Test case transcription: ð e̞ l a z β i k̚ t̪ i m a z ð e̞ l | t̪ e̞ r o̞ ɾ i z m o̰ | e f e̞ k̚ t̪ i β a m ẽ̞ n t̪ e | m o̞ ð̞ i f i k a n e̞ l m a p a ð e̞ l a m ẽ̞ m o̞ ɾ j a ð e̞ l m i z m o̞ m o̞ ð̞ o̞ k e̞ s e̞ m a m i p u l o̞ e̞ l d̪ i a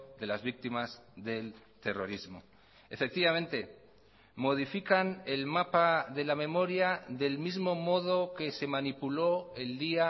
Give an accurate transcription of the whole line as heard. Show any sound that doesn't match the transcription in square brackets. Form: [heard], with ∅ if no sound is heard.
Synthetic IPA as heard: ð e̞ l a z β i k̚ t̪ i m a z ð e̞ l | t̪ e̞ r o̞ ɾ i z m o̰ | e f e̞ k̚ t̪ i β a m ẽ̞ n t̪ e | m o̞ ð̞ i f i k a n e̞ l m a p a ð e̞ l a m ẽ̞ m o̞ ɾ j a ð e̞ l m i z m o̞ m o̞ ð̞ o̞ k e̞ s e̞ m a [n] i p u l o̞ e̞ l d̪ i a

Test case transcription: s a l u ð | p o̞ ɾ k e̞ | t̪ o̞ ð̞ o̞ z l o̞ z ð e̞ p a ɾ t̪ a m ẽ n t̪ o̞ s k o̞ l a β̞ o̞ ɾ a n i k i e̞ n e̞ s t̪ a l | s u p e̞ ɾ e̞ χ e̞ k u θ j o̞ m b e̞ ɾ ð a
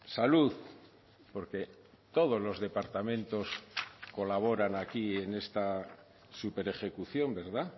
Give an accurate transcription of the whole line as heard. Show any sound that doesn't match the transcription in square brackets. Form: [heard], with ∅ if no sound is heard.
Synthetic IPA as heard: s a l u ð | p o̞ ɾ k e̞ | t̪ o̞ ð̞ o̞ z l o̞ z ð e̞ p a ɾ t̪ a m ẽ n t̪ o̞ s k o̞ l a β̞ o̞ ɾ a n [a] k i e̞ n e̞ s t̪ a [∅] | s u p e̞ ɾ e̞ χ e̞ k u θ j o̞ m b e̞ ɾ ð a

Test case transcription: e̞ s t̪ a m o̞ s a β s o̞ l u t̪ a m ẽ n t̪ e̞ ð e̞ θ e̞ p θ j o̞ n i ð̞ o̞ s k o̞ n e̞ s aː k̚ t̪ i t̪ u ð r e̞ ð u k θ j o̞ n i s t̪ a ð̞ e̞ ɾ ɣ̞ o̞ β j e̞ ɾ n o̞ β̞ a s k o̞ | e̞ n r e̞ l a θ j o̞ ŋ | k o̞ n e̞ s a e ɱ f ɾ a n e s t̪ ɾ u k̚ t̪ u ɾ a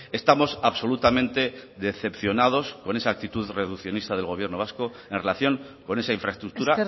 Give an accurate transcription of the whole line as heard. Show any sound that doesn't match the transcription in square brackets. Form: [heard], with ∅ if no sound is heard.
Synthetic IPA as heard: e̞ s t̪ a m o̞ s a β s o̞ l u t̪ a m ẽ n t̪ e̞ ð e̞ θ e̞ p θ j o̞ n [a] ð̞ o̞ s k o̞ n e̞ s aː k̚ t̪ i t̪ u ð r e̞ ð u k θ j o̞ n i s t̪ a ð̞ e̞ [l] ɣ̞ o̞ β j e̞ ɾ n o̞ β̞ a s k o̞ | e̞ n r e̞ l a θ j o̞ ŋ | k o̞ n e̞ s a [i] ɱ f ɾ a [∅] e s t̪ ɾ u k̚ t̪ u ɾ a

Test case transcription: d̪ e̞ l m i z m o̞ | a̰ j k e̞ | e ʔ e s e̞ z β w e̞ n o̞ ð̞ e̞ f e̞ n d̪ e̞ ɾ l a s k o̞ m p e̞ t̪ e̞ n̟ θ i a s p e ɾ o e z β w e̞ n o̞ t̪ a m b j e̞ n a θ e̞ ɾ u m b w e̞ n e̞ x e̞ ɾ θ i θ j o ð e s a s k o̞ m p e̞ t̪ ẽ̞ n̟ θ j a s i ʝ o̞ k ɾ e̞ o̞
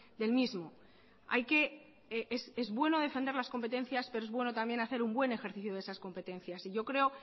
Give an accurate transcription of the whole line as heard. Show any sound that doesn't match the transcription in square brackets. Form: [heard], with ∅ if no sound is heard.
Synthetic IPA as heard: d̪ e̞ l m i z m o̞ | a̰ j k e̞ | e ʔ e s e̞ z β w e̞ n o̞ ð̞ e̞ f e̞ n d̪ e̞ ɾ l a s k o̞ m p e̞ t̪ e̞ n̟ θ [j] a s p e ɾ o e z β w e̞ n o̞ t̪ a m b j e̞ n a θ e̞ ɾ u m b w e̞ n e̞ x e̞ ɾ θ i θ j o ð e s a s k o̞ m p e̞ t̪ [e̞] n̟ θ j a s i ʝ o̞ k ɾ e̞ o̞

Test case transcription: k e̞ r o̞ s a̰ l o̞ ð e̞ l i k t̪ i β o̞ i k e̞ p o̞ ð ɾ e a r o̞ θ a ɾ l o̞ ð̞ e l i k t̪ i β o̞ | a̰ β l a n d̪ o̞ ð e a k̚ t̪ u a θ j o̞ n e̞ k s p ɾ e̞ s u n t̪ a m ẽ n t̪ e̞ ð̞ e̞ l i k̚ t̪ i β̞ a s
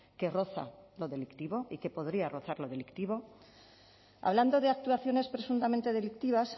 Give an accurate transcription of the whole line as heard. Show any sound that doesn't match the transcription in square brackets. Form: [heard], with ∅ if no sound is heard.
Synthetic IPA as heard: k e̞ r o̞ [θ] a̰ l o̞ ð e̞ l i k t̪ i β o̞ i k e̞ p o̞ ð ɾ [i] a r o̞ θ a ɾ l o̞ ð̞ e l i k t̪ i β o̞ | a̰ β l a n d̪ o̞ ð e a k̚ t̪ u a θ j o̞ n e̞ [∅] s p ɾ e̞ s u n t̪ a m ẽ n t̪ e̞ ð̞ e̞ l i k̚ t̪ i β̞ a s

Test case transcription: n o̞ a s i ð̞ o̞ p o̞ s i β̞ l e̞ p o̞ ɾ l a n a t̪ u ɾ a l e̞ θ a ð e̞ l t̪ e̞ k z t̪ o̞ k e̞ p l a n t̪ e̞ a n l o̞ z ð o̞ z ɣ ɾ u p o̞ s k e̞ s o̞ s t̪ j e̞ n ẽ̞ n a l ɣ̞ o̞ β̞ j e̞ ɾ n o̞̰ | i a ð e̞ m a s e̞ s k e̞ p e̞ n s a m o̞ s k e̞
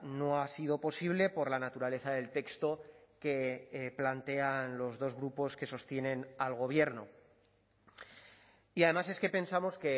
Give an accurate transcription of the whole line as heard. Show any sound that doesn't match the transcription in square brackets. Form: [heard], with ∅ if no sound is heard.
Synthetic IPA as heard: n o̞ a s i ð̞ o̞ p o̞ s i β̞ l e̞ p o̞ ɾ l a n a t̪ u ɾ a l e̞ θ a ð e̞ l t̪ e̞ k [s] t̪ o̞ k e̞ p l a n t̪ e̞ a n l o̞ z ð o̞ z ɣ ɾ u p o̞ s k e̞ s o̞ s t̪ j e̞ n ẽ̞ n a l ɣ̞ o̞ β̞ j e̞ ɾ n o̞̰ | i a ð e̞ m a s e̞ s k e̞ p e̞ n s a m o̞ s k e̞

